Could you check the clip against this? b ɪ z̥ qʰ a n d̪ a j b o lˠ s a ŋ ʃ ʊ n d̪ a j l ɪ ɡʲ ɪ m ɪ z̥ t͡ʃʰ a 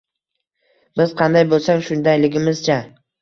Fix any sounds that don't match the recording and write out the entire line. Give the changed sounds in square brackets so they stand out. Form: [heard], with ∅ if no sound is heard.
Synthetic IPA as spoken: b ɪ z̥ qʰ [ɑ] n d̪ a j b o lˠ s a ŋ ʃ ʊ n d̪ a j l ɪ ɡʲ ɪ m ɪ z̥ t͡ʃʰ a